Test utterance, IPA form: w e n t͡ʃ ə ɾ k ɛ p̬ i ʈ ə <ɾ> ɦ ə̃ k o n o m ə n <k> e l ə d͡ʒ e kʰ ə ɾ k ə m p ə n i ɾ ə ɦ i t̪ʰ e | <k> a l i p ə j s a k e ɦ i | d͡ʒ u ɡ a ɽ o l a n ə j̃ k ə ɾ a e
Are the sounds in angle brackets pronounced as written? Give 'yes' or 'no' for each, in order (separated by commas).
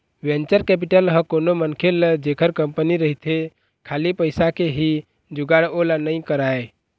no, no, no